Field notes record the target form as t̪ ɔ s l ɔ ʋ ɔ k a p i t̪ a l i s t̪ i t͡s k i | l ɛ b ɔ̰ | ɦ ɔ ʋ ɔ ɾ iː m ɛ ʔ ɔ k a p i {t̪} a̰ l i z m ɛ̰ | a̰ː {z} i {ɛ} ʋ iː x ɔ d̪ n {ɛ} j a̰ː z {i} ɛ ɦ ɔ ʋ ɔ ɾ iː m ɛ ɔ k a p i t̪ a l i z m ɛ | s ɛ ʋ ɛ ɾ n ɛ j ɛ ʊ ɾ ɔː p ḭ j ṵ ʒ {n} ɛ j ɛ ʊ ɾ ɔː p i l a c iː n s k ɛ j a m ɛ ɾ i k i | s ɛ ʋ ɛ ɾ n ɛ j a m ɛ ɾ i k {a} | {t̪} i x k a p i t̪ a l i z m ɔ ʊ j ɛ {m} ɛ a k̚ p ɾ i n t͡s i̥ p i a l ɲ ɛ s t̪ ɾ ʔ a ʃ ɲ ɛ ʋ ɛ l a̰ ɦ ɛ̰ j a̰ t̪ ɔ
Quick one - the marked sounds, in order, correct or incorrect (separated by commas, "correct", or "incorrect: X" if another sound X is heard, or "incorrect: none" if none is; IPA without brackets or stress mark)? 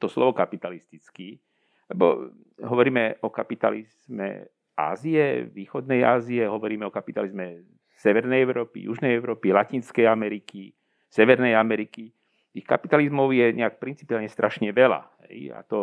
correct, correct, correct, correct, correct, correct, incorrect: i, correct, incorrect: ɲ